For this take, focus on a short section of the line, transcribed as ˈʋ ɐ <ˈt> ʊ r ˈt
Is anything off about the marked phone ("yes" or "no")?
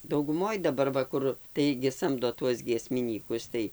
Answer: yes